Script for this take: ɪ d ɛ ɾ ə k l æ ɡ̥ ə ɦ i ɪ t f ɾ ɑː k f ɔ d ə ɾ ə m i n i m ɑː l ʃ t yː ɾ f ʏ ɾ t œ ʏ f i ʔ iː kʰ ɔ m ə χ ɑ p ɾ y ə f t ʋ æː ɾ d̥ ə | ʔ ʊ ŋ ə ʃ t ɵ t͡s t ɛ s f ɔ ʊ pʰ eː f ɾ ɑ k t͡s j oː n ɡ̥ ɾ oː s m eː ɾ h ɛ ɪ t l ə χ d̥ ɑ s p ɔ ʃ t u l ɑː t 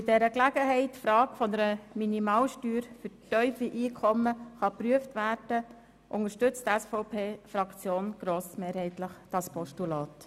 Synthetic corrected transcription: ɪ d ɛ ɾ ə k l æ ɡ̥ ə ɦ ɛ ɪ t f ɾ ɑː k f ɔ n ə ɾ ə m i n i m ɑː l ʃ t yː ɾ f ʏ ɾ t œ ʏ f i ʔ iː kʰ ɔ m ə χ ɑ p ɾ y ə f t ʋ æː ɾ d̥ ə | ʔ ʊ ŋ ə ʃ t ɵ t͡s t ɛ s f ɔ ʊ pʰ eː f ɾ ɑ k t͡s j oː n ɡ̥ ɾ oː s m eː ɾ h ɛ ɪ t l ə χ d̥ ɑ s p ɔ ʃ t u l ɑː t

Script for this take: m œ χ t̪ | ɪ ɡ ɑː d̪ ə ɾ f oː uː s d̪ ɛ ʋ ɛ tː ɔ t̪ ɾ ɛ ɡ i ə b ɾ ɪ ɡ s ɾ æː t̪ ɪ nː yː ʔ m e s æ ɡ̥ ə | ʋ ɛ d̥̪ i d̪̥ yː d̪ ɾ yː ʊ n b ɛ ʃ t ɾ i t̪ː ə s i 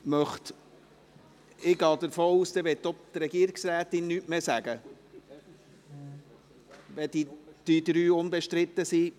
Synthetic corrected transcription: m œ χ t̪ | ɪ ɡ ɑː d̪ ə ɾ f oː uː s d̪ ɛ ʋ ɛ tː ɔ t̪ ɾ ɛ ɡ i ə ɾ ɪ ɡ s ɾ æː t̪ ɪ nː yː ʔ m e s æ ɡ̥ ə | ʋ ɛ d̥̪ i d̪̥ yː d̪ ɾ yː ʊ n b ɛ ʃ t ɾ ɪ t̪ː ə s i

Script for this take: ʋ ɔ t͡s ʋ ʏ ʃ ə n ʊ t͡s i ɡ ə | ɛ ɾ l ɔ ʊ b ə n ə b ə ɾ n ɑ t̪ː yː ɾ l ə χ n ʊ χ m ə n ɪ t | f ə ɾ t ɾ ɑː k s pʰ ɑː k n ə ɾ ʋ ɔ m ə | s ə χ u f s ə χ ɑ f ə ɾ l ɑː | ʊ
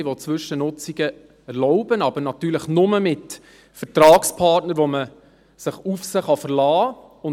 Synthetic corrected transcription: ʋ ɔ t͡s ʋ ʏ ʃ ə n ʊ t͡s i ɡ ə | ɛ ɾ l ɔ ʊ b ə n ɑ b ə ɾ n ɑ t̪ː yː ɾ l ə χ n ʊ m ə m ɪ t | f ə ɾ t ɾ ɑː k s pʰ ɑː t n ə ɾ ʋ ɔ m ə | s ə χ u f s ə χ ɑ f ə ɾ l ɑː | ʊ

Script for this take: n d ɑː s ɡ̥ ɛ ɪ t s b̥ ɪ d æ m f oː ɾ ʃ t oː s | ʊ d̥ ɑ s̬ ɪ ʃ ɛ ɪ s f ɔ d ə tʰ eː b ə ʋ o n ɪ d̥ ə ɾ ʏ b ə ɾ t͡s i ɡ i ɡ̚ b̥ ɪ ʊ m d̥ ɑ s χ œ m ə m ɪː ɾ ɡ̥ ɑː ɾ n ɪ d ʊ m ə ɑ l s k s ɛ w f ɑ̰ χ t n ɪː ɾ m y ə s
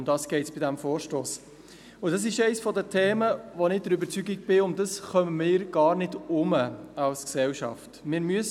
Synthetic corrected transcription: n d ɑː s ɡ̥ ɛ ɪ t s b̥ ɪ d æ m f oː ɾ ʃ t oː s | ʊ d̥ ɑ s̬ ɪ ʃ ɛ ɪ s f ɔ d ə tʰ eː m ə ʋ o n ɪ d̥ ə ɾ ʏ b ə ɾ t͡s y ɡ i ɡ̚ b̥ ɪ ʊ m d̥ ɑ s χ œ m ə m ɪː ɾ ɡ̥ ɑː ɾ n ɪ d ʊ m ə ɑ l s k s ɛ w ʃ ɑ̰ f t m ɪː ɾ m y ə s

